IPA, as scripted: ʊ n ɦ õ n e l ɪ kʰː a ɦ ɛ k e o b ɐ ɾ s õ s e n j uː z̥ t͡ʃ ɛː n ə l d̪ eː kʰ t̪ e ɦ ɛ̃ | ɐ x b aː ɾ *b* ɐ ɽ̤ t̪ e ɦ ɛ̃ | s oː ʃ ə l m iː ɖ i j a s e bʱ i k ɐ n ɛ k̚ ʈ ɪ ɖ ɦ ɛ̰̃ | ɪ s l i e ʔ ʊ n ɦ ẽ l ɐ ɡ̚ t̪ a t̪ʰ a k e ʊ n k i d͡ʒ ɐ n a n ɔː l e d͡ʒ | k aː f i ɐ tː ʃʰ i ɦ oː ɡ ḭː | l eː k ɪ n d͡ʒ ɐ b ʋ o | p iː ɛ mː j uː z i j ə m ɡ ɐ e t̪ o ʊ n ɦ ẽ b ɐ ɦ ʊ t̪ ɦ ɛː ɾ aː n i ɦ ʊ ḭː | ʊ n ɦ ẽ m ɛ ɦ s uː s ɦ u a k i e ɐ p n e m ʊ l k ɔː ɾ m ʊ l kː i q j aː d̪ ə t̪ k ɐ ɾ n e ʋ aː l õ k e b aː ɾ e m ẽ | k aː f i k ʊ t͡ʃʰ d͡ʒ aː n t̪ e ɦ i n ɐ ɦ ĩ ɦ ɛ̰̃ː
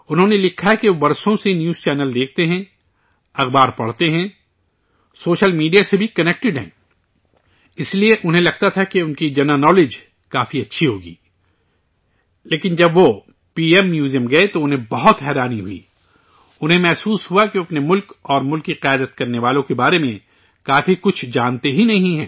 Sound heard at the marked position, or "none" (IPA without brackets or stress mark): p